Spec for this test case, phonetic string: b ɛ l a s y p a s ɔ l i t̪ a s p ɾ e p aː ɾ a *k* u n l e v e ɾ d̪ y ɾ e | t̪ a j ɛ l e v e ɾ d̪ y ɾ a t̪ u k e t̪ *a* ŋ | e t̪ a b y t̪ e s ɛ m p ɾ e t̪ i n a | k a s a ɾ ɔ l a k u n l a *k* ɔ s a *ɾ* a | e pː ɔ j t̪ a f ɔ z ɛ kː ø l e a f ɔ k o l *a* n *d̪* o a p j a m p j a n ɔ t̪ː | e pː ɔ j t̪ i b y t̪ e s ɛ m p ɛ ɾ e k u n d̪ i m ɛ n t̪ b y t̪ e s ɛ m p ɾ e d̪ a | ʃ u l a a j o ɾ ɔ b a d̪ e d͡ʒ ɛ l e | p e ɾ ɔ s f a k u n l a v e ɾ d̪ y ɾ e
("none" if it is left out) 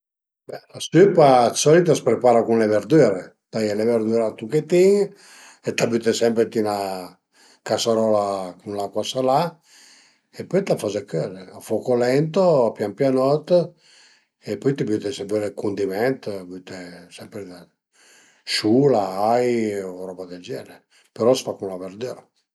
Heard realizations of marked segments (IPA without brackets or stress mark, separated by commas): k, i, k, l, ɛ, t̪